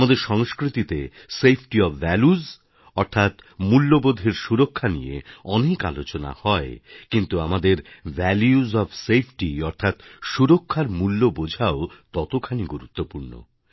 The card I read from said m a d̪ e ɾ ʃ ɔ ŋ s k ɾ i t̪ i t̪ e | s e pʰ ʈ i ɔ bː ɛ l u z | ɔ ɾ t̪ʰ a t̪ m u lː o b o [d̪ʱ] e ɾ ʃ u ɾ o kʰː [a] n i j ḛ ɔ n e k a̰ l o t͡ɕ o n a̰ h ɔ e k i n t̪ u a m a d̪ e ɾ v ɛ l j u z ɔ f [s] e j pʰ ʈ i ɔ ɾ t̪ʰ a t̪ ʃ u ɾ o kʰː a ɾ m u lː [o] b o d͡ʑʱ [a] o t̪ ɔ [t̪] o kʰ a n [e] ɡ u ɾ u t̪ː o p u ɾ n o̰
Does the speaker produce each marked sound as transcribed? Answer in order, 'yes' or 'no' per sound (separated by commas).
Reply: yes, yes, yes, yes, yes, yes, no